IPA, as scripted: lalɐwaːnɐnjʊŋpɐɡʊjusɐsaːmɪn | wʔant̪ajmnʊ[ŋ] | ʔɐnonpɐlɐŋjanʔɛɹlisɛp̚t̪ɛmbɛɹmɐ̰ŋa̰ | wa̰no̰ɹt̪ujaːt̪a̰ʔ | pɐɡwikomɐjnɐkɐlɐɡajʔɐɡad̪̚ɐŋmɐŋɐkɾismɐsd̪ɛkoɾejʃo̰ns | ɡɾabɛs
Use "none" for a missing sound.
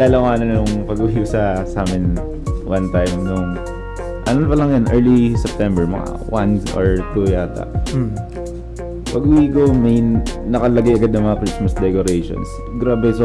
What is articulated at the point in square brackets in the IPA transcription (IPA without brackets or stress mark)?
ŋ